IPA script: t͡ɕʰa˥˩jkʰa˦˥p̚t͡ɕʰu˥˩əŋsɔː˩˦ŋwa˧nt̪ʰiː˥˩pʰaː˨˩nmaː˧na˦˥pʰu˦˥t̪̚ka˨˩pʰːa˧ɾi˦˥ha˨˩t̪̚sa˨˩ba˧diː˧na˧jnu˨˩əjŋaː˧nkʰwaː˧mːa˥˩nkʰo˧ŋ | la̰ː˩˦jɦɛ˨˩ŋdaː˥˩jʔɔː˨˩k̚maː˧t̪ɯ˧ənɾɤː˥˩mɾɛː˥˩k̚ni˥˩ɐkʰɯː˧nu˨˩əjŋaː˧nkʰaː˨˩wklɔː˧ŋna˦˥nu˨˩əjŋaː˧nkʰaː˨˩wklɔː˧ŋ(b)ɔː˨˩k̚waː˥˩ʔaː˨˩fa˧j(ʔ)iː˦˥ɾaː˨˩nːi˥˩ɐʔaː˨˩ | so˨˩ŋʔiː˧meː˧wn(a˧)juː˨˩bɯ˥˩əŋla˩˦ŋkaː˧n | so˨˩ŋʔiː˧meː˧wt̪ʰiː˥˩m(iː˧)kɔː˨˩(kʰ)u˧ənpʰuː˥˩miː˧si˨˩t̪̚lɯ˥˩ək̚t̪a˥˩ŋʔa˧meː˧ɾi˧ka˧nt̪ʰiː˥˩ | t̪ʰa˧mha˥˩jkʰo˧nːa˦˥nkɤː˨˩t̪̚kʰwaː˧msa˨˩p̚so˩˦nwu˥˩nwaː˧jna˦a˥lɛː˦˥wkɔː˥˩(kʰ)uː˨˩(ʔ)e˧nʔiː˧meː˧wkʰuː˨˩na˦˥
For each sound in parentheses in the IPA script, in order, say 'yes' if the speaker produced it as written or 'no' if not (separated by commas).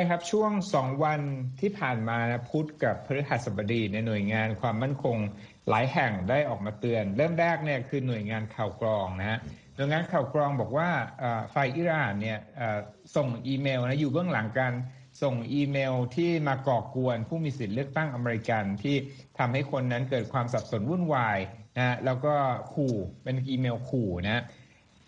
yes, yes, no, no, no, yes, no